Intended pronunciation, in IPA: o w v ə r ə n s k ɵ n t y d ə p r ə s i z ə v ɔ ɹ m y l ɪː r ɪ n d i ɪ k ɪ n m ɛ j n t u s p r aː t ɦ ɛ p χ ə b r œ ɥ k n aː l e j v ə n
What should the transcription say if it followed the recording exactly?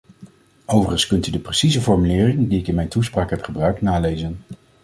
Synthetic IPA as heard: o w v ə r ə n s k ɵ n t y d ə p r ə s i z ə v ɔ ɹ m y l ɪː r ɪ ŋ d i ɪ k ɪ n m ɛ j n t u s p r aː k ɦ ɛ p χ ə b r œ ɥ k n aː l e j z ə n